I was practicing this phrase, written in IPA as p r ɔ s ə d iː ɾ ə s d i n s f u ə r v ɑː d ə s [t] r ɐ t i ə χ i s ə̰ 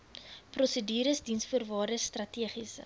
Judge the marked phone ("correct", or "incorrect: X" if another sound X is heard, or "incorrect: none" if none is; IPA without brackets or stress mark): correct